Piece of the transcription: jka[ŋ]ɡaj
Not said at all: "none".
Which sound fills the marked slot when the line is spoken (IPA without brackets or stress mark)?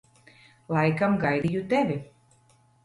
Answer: m